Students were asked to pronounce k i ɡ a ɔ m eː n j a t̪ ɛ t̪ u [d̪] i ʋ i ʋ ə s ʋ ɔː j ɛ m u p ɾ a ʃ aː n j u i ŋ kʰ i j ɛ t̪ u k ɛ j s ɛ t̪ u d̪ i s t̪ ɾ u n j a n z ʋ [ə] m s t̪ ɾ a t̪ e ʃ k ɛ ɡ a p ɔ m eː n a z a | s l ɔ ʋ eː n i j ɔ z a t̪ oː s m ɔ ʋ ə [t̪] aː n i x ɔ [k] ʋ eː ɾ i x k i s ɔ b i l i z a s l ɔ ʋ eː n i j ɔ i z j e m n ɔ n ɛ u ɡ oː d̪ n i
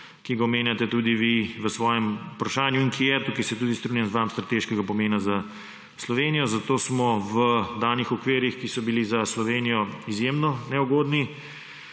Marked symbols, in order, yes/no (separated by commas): yes, no, no, yes